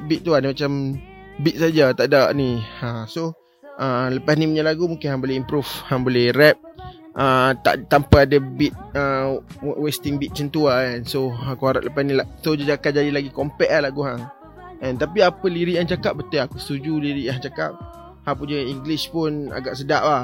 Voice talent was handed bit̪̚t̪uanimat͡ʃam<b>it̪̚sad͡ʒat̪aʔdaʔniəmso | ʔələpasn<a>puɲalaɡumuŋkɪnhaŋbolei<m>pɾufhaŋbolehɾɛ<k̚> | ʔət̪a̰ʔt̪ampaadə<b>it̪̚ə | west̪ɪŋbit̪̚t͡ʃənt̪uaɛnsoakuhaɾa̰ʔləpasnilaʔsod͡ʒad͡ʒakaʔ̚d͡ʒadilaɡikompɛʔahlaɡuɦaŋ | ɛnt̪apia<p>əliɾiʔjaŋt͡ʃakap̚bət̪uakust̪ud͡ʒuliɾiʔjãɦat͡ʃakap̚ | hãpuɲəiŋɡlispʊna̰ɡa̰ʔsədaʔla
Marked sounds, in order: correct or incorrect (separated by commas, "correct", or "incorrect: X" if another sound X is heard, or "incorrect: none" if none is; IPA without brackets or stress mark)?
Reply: correct, incorrect: i, correct, incorrect: p̚, correct, correct